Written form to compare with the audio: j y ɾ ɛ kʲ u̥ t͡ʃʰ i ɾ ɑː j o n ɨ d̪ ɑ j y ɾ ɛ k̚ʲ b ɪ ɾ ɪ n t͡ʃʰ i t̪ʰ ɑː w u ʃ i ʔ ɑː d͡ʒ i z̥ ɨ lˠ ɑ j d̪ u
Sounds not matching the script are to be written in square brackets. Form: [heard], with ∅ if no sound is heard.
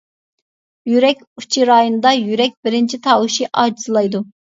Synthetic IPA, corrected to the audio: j y ɾ ɛ kʲ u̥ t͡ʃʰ i ɾ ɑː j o n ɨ d̪ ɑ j y ɾ ɛ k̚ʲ b ɪ ɾ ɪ n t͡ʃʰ i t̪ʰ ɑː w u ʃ i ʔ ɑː d͡ʒ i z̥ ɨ lˠ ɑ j d̪ u